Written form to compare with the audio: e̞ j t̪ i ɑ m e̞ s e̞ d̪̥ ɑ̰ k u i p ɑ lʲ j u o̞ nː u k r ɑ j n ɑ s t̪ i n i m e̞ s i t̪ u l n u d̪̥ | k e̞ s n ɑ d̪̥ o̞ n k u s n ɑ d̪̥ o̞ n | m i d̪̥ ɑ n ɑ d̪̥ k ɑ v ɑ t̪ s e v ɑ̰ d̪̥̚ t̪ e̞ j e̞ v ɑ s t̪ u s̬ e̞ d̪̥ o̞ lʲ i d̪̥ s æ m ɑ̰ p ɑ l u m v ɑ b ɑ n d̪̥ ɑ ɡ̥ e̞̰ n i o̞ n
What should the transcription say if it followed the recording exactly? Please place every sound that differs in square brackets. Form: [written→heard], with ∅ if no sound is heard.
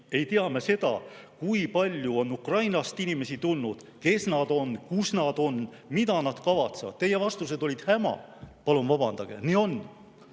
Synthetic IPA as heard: e̞ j t̪ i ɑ m e̞ s e̞ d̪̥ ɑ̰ k u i p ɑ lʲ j u o̞ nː u k r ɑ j n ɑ s t̪ i n i m e̞ s i t̪ u l n u d̪̥ | k e̞ s n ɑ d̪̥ o̞ n k u s n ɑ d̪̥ o̞ n | m i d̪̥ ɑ n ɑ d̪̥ k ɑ v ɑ t̪ s e v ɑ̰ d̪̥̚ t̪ e̞ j e̞ v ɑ s t̪ u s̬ e̞ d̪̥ o̞ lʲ i d̪̥ [s→h] æ m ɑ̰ p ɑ l u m v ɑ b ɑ n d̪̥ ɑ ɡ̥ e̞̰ n i o̞ n